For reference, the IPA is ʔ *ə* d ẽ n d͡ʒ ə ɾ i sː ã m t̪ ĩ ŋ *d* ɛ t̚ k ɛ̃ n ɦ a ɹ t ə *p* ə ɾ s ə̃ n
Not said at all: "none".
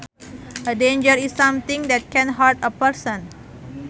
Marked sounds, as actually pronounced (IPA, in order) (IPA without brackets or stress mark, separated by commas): ə, d, p